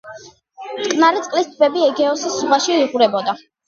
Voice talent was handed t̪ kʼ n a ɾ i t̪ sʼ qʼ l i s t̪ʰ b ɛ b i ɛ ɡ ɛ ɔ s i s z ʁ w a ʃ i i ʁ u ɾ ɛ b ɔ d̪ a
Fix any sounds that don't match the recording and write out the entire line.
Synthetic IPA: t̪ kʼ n a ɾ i t̪ sʼ qʼ l i s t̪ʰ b ɛ b i ɛ ɡ ɛ ɔ s i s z ʁ w a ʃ i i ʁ u ɾ ɛ b ɔ d̪ a